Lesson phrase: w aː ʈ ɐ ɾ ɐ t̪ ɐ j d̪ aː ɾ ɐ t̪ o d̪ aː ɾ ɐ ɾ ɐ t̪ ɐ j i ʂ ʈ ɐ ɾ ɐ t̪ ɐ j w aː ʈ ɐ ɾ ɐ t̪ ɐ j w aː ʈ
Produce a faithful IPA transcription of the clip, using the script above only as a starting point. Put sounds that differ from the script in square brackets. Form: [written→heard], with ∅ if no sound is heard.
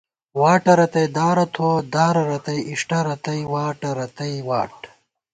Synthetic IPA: w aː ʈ ɐ ɾ ɐ t̪ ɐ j d̪ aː ɾ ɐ [t̪→t̪ʰ] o d̪ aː ɾ ɐ ɾ ɐ t̪ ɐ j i ʂ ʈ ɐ ɾ ɐ t̪ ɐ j w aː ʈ ɐ ɾ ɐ t̪ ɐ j w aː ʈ